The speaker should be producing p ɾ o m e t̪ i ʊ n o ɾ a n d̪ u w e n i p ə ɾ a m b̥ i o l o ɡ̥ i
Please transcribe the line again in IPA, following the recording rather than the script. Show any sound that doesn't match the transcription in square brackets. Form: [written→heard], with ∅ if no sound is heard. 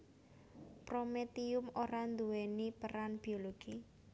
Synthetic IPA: p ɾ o m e t̪ i ʊ [n→m] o ɾ a n d̪ u w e n i p ə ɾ a [m→n] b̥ i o l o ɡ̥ i

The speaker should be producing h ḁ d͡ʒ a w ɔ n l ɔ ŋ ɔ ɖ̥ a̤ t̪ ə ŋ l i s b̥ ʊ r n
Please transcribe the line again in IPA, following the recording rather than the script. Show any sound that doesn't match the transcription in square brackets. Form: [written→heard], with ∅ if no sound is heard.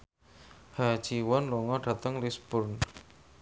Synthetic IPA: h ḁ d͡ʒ [a→i] w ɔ n l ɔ ŋ ɔ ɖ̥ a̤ t̪ ə ŋ l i s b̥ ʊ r n

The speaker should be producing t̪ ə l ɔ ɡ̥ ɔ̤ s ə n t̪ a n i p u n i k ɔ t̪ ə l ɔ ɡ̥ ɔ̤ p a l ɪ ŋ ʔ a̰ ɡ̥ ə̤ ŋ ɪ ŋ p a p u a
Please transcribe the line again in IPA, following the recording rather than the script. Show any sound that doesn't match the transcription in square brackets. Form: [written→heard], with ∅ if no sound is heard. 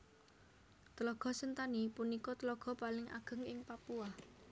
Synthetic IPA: t̪ ə l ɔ ɡ̥ ɔ̤ s ə n t̪ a n i p u n i k ɔ t̪ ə l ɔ ɡ̥ ɔ̤ p a l ɪ ŋ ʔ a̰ ɡ̥ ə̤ ŋ ɪ ŋ p a p u a

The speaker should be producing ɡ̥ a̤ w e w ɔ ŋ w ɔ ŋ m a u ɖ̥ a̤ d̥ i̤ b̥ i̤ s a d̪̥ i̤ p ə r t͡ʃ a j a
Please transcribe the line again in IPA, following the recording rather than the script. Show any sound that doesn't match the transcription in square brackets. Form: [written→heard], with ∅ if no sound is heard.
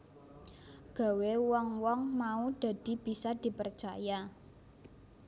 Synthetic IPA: ɡ̥ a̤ w e w ɔ ŋ w ɔ ŋ m a u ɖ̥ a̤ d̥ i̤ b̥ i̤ s a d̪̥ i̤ p ə r t͡ʃ a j a

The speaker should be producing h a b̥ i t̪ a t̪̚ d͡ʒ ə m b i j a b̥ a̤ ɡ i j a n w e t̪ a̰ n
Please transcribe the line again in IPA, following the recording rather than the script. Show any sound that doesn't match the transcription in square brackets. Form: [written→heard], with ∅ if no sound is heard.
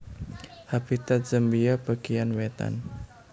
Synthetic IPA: h a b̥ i t̪ a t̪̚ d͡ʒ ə m b i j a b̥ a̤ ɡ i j a n w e t̪ a̰ n

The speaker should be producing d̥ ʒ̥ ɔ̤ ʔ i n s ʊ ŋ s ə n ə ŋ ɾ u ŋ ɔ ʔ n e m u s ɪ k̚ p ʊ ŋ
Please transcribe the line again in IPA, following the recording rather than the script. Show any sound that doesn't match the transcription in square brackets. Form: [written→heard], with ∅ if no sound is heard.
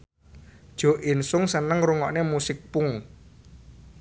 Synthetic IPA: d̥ ʒ̥ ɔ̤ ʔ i n s ʊ ŋ s ə n ə ŋ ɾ u ŋ ɔ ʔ n e m u s ɪ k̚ p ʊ ŋ

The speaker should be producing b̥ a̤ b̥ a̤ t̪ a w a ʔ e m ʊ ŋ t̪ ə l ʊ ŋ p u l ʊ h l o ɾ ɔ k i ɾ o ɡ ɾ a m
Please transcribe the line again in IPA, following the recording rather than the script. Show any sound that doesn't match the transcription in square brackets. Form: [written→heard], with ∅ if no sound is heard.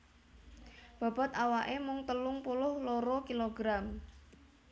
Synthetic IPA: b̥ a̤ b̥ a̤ t̪ a w a ʔ e m ʊ ŋ t̪ ə l ʊ ŋ p u l ʊ h l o ɾ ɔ k i [ɾ→l] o ɡ ɾ a m

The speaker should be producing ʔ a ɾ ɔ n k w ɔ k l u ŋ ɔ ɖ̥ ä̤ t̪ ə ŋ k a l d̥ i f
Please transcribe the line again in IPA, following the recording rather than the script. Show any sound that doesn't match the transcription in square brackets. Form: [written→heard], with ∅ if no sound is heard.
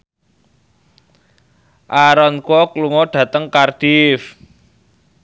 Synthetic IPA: ʔ a ɾ ɔ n k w ɔ k l u ŋ ɔ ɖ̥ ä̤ t̪ ə ŋ k a [l→r] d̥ i f

